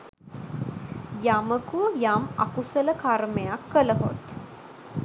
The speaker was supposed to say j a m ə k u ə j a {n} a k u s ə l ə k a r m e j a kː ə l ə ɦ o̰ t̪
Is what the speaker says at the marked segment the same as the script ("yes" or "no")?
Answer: no